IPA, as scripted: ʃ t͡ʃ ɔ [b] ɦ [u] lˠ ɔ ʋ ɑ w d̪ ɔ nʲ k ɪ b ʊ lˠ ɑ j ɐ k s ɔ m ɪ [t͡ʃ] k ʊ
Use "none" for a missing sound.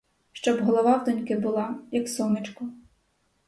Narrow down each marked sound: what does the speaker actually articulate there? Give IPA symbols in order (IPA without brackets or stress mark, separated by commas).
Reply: b, ɔ, t͡ʃ